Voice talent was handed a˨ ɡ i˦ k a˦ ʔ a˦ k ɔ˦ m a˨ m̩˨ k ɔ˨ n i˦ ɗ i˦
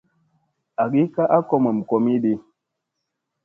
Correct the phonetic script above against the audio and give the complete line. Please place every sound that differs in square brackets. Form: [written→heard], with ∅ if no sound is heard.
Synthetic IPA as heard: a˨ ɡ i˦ k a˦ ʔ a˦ k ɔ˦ m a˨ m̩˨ k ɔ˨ [n→m] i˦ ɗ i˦